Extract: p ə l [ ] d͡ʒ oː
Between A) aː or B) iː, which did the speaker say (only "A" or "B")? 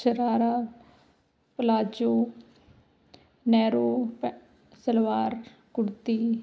A